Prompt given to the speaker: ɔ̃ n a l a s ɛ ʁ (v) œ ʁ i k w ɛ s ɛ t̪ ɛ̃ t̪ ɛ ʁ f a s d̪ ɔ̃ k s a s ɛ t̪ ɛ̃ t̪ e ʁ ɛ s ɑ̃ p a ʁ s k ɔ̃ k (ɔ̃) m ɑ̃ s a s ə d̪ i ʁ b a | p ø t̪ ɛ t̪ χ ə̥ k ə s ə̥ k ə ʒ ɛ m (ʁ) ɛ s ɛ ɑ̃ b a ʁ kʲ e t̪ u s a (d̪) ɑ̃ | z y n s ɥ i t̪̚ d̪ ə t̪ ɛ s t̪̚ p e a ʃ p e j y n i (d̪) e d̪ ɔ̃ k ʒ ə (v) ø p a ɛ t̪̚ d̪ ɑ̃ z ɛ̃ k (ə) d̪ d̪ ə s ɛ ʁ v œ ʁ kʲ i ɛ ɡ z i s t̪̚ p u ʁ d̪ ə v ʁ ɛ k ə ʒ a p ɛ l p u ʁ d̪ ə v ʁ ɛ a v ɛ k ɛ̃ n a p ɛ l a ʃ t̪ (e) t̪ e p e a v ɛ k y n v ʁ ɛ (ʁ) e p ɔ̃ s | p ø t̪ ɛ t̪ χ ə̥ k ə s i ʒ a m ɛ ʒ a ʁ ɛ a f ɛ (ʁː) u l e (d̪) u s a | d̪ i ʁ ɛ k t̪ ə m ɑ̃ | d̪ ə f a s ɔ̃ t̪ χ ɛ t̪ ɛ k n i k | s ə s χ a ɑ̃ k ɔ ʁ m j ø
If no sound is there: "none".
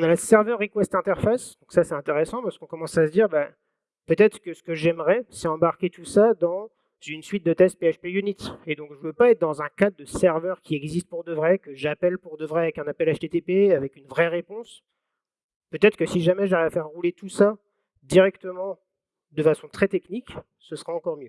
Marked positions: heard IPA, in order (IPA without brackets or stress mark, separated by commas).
v, ɔ, ʁ, d̪, t̪, v, a, e, ʁ, ʁː, t̪